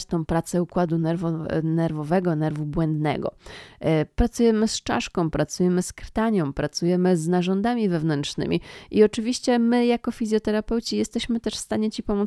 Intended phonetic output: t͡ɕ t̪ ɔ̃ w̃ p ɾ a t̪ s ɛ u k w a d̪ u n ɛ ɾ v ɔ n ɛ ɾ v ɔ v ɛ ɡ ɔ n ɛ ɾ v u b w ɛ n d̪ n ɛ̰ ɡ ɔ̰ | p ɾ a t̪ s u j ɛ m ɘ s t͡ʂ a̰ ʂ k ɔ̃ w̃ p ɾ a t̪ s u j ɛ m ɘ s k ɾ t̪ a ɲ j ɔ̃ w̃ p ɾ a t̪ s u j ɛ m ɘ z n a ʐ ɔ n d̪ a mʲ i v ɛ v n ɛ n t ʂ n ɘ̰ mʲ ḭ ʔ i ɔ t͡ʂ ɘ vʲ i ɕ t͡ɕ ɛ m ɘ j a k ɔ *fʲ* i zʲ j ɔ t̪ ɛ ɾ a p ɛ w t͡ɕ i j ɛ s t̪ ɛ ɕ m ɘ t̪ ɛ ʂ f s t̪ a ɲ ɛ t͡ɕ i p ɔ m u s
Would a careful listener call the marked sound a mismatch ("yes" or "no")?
no